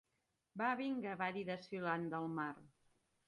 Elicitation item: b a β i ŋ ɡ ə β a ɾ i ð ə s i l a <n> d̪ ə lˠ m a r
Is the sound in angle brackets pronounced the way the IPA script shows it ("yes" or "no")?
yes